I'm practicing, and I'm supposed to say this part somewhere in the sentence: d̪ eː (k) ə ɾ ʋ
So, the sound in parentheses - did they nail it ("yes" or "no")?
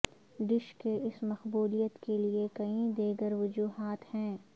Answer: no